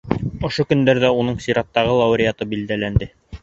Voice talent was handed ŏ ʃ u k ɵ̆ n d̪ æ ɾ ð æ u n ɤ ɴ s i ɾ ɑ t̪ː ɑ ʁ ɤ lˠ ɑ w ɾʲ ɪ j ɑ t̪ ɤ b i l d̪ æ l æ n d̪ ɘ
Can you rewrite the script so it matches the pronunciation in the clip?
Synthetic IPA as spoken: ŏ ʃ o k ɵ̆ n d̪ æ ɾ ð æ u n ɤ ɴ s i ɾ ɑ t̪ː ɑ ʁ ɤ lˠ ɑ w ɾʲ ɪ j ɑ t̪ ɤ b i l d̪ æ l æ n d̪ ɘ